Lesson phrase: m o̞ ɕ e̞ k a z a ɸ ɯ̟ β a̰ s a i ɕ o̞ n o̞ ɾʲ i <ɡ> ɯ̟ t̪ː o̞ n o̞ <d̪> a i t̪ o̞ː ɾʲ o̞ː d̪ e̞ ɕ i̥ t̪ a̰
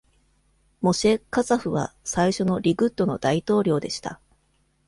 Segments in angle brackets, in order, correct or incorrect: correct, correct

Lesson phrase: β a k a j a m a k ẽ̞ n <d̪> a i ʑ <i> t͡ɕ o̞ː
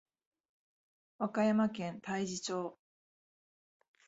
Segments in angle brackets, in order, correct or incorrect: incorrect: t̪, correct

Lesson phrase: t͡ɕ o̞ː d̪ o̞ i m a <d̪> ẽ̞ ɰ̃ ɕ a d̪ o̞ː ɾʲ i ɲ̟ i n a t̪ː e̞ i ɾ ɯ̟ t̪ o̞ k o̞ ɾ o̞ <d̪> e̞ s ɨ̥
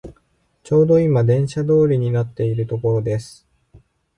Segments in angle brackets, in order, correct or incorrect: correct, correct

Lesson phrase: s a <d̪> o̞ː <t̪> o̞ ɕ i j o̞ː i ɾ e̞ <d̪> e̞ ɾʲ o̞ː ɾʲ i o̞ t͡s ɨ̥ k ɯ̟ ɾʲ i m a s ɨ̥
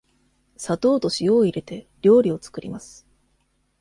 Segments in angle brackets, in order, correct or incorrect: incorrect: t̪, correct, incorrect: t̪

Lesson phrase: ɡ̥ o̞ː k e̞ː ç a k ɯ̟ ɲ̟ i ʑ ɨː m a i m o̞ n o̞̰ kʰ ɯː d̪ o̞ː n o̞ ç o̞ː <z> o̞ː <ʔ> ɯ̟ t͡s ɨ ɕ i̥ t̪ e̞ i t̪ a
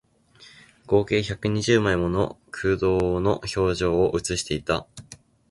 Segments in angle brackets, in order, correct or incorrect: incorrect: ʑ, correct

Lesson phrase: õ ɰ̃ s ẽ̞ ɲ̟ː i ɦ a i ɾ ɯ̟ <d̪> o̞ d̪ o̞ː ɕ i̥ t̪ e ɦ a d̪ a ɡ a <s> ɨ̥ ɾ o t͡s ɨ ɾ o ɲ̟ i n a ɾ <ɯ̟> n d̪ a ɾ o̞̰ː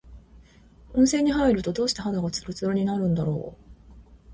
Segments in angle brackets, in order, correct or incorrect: incorrect: t̪, incorrect: t͡s, incorrect: ɯ̟̃

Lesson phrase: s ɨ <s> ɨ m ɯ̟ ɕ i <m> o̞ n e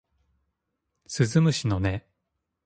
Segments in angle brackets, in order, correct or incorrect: incorrect: z, incorrect: n

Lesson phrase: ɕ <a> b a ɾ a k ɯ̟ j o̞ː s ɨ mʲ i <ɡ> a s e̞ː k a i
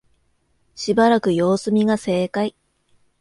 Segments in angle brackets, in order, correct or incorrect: incorrect: i, correct

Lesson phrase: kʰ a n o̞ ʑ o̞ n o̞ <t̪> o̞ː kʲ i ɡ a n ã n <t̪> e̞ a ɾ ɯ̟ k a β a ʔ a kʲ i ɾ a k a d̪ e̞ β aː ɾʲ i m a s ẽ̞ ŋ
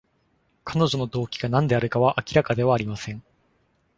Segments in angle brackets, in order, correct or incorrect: incorrect: d̪, incorrect: d̪

